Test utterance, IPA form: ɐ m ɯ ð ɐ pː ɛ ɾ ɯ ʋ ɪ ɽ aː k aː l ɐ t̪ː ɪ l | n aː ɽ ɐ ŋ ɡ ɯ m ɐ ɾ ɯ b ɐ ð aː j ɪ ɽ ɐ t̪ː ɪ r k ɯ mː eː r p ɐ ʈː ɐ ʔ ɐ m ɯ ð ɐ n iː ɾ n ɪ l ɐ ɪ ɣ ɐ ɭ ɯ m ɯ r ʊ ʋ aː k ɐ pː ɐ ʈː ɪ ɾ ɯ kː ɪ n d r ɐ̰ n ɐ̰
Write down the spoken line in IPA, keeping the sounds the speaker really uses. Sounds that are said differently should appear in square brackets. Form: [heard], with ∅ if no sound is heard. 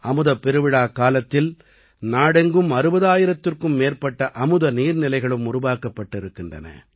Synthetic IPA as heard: ɐ m ɯ ð ɐ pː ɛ ɾ ɯ ʋ ɪ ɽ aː k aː l ɐ t̪ː ɪ l | n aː ɽ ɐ ŋ ɡ ɯ m ɐ ɾ ɯ b ɐ ð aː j ɪ [ɾ] ɐ t̪ː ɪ r k ɯ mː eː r p ɐ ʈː ɐ ʔ ɐ m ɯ ð ɐ n iː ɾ n ɪ l ɐ ɪ ɣ ɐ ɭ ɯ m [ʊ] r ʊ ʋ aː k ɐ pː ɐ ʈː ɪ ɾ ɯ kː ɪ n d r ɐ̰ n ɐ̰